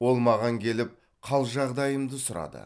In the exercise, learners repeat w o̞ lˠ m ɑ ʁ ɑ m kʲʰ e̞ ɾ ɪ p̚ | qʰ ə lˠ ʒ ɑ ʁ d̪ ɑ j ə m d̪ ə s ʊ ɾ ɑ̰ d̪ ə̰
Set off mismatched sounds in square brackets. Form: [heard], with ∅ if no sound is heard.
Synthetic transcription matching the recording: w o̞ lˠ m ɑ ʁ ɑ [ŋ] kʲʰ e̞ [l] ɪ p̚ | qʰ [ɑ] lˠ ʒ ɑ ʁ d̪ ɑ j ə m d̪ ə s ʊ ɾ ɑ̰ d̪ ə̰